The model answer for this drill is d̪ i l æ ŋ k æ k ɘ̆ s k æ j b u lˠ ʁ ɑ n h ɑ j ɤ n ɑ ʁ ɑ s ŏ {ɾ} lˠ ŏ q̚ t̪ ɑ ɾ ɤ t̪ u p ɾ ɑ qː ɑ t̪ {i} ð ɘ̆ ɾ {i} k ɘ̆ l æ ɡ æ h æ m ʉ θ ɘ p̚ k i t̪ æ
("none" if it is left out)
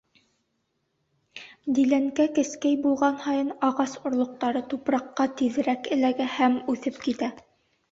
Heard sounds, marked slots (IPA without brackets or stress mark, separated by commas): ɾ, i, æ